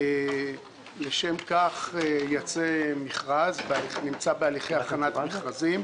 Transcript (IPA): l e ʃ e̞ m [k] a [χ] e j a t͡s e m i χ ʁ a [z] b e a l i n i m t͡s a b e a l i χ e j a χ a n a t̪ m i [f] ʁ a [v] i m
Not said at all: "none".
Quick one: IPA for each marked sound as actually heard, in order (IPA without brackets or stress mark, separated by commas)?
k, χ, z, χ, z